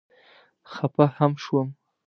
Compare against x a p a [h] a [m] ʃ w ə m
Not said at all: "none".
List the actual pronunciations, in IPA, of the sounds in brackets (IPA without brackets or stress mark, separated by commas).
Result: h, m